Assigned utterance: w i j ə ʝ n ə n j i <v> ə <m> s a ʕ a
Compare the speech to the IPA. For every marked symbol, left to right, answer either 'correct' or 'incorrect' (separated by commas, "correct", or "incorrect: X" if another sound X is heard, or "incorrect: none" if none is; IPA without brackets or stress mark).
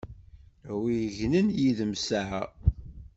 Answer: incorrect: ð, correct